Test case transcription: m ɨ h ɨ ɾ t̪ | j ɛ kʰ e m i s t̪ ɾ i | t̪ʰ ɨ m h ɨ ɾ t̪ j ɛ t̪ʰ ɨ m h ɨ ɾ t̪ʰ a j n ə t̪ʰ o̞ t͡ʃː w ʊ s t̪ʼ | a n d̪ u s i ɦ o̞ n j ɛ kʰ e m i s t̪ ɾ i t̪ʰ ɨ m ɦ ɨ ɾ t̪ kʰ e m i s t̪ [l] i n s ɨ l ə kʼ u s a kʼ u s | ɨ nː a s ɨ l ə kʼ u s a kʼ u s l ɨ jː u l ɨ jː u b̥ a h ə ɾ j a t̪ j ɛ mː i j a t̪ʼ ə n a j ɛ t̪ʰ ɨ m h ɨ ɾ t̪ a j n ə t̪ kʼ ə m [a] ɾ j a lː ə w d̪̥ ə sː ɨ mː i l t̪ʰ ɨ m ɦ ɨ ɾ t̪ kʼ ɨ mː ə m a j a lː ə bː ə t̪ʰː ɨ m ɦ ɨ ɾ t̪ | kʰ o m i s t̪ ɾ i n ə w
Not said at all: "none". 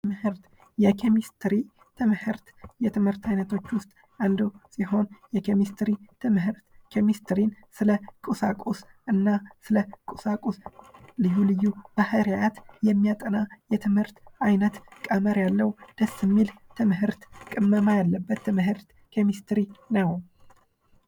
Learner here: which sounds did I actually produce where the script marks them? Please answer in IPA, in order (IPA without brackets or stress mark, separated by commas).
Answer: ɾ, ə